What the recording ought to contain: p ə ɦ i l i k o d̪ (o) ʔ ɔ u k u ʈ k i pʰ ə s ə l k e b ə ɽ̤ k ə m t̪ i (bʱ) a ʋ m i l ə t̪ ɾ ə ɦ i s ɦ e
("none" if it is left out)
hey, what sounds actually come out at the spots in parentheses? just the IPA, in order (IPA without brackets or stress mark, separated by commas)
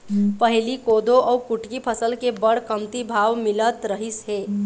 o, bʱ